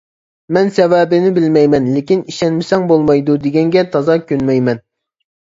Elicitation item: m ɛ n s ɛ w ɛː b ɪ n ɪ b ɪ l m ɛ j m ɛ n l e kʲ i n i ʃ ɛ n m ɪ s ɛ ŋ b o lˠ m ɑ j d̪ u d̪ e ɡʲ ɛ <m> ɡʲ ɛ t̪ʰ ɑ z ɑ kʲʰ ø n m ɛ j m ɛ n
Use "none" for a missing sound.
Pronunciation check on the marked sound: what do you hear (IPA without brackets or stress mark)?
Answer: ŋ